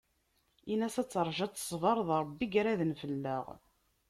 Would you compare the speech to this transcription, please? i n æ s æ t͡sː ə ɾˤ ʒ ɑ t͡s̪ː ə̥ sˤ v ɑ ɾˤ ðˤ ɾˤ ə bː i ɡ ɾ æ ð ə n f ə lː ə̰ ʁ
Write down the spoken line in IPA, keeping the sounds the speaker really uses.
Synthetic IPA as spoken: i n æ s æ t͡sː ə ɾˤ ʒ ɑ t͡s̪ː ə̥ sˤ v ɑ ɾˤ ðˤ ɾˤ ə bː i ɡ ɾ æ ð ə n f ə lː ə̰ ʁ